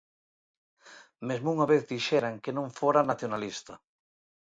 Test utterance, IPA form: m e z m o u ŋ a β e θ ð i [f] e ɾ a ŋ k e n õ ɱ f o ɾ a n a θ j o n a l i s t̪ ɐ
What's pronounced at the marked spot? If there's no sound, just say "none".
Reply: ʃ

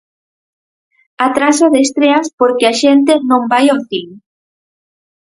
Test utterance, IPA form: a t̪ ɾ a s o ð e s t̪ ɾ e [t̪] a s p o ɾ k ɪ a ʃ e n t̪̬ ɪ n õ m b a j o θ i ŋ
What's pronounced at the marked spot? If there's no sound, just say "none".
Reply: none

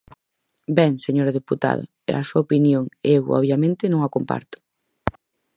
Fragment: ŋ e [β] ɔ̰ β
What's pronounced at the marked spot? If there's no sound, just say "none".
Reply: w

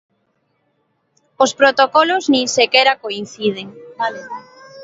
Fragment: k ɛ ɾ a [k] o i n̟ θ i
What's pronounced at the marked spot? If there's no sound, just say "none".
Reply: k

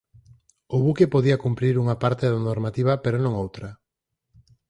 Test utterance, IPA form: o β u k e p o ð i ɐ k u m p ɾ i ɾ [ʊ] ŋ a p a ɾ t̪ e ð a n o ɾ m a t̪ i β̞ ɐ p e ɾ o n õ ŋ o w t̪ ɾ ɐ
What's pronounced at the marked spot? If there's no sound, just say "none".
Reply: u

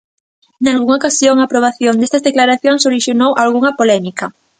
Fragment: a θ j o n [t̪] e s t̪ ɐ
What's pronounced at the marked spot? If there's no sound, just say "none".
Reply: d̪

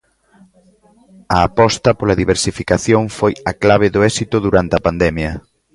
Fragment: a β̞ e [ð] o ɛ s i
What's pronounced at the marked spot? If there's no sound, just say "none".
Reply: ð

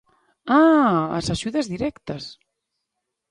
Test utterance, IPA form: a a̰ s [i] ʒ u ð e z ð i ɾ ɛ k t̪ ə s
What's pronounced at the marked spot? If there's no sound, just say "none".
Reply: a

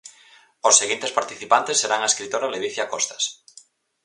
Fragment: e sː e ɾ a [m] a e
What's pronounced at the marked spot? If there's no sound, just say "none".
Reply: ŋ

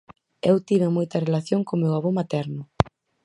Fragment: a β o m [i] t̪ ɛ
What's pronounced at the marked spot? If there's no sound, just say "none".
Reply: a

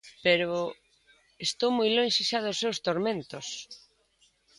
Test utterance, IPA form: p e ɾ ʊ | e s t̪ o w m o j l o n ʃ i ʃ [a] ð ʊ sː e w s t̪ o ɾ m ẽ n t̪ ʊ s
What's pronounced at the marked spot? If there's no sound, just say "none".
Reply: a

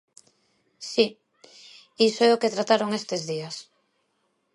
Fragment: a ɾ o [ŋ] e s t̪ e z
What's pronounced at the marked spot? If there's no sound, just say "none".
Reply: ŋ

